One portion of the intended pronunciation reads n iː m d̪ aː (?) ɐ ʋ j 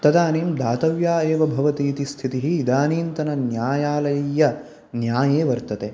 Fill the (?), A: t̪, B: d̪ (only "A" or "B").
A